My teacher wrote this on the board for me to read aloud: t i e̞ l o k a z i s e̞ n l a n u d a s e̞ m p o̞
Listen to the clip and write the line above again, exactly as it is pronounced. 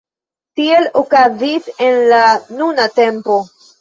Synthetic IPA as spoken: t i e̞ l o k a z i s e̞ n l a n u n a t e̞ m p o̞